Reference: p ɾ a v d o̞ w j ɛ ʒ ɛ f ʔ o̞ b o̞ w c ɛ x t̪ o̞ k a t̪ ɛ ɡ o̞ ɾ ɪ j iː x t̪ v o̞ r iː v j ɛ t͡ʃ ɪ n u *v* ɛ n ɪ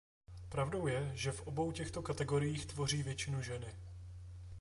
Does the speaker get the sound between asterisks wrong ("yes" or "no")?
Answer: yes